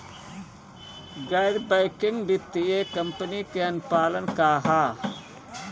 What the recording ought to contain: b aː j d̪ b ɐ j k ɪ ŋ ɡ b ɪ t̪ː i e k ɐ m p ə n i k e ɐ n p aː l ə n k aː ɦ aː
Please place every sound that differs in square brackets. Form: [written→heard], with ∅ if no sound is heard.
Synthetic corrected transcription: [b→ɡ] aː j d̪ b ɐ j k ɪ ŋ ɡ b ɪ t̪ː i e k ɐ m p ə n i k e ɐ n p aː l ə n k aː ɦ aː